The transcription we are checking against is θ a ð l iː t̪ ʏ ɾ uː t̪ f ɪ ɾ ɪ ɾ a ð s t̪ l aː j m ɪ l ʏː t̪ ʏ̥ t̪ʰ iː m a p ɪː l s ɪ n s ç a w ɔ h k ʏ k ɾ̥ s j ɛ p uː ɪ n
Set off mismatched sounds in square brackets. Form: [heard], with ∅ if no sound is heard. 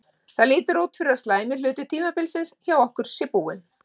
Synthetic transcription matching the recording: θ a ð l iː t̪ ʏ ɾ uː t̪ f ɪ ɾ ɪ ɾ a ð s t̪ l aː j m ɪ l ʏː t̪ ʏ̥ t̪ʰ iː m a p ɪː l s ɪ n s ç a w ɔ h k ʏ [∅] ɾ̥ s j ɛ p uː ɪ n